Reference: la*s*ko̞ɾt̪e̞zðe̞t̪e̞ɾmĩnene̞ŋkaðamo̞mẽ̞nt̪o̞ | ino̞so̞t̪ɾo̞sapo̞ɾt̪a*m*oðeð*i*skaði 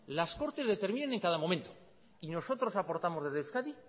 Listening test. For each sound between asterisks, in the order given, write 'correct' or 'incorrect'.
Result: correct, correct, incorrect: e

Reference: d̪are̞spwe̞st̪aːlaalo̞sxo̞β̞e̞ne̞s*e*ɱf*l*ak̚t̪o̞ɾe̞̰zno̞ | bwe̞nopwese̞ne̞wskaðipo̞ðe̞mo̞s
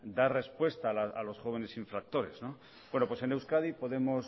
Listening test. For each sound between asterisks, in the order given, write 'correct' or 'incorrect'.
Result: incorrect: i, incorrect: ɾ

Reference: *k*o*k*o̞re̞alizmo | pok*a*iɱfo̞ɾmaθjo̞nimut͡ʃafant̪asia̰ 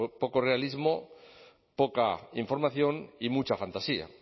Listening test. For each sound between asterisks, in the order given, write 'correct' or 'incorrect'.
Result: incorrect: p, correct, correct

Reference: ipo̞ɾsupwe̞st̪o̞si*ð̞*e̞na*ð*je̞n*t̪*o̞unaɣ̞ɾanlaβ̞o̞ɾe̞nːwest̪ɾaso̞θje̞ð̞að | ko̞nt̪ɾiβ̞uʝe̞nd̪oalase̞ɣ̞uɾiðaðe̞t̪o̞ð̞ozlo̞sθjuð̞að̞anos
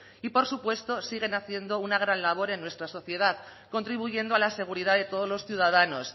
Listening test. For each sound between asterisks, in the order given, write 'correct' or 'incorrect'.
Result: incorrect: ɣ̞, incorrect: θ, incorrect: d̪

